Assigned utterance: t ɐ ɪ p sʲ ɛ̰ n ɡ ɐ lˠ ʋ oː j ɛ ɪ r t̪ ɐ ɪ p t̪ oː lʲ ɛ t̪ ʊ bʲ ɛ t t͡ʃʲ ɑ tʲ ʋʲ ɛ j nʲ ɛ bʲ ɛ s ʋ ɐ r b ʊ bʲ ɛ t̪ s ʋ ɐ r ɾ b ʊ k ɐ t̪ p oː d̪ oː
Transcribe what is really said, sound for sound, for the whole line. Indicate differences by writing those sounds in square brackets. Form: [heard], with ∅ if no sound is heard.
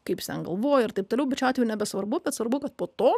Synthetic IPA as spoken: [k] ɐ ɪ p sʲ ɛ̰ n ɡ ɐ lˠ ʋ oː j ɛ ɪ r t̪ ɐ ɪ p t̪ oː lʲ ɛ [∅] ʊ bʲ ɛ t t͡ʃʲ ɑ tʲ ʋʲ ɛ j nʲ ɛ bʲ ɛ s ʋ ɐ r b ʊ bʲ ɛ t̪ s ʋ ɐ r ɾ b ʊ k ɐ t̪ p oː [t̪] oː